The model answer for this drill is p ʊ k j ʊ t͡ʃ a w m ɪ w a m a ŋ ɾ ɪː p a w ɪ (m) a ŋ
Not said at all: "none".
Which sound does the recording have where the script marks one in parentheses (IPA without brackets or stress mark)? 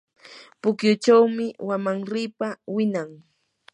n